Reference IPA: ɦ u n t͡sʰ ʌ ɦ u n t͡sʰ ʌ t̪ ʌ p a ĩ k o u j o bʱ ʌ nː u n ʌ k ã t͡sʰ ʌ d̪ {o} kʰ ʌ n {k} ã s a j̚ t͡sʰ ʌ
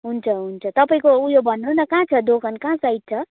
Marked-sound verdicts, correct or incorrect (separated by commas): correct, correct